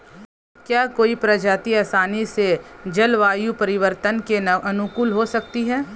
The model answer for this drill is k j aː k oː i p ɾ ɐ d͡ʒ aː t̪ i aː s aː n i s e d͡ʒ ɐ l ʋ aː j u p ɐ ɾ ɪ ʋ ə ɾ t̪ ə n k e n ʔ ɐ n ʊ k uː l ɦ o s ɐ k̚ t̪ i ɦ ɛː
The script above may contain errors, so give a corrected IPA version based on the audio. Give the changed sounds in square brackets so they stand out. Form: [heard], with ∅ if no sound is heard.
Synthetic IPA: k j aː k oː i p ɾ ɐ d͡ʒ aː t̪ i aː s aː n i s e d͡ʒ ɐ l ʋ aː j u p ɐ ɾ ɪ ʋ ə ɾ t̪ ə n k e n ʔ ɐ n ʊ k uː l ɦ o s ɐ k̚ t̪ i ɦ ɛː